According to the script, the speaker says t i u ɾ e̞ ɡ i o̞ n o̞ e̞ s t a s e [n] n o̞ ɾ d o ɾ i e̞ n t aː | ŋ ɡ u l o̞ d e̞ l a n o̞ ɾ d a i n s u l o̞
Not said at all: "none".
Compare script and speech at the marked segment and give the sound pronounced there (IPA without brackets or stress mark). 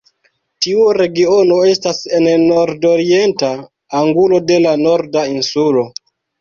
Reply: n